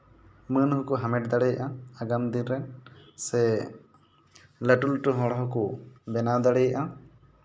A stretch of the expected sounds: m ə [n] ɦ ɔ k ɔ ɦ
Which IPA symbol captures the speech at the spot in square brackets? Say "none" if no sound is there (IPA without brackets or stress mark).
n